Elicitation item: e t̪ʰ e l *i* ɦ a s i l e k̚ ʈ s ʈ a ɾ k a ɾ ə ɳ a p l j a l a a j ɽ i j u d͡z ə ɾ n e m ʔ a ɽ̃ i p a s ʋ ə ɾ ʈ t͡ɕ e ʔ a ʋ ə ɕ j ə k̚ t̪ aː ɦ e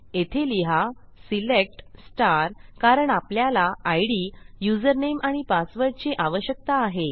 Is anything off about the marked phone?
no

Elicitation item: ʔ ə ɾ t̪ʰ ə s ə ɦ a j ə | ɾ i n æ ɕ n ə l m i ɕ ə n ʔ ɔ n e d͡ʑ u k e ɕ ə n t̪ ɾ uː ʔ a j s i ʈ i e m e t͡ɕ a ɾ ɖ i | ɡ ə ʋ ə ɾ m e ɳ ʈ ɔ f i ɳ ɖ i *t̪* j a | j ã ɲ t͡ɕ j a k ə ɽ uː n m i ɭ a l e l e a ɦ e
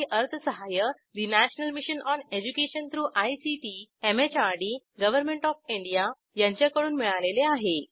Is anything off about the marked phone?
yes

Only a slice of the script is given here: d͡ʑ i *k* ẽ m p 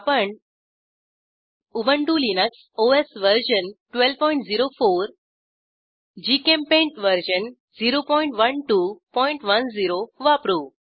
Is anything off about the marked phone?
no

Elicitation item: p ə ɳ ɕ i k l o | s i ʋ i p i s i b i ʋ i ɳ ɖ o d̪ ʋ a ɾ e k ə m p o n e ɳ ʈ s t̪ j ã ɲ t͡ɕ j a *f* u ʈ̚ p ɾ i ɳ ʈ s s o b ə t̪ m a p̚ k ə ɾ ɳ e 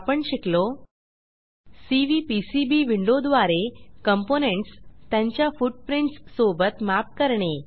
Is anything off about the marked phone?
no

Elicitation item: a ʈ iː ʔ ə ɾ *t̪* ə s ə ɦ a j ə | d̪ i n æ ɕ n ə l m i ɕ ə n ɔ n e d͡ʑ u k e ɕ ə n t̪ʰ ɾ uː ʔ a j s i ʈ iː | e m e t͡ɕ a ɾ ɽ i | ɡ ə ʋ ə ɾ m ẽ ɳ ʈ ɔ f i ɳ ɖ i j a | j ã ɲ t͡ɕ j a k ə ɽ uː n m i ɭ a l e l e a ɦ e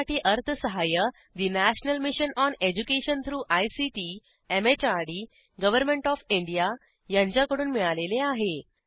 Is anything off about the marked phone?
yes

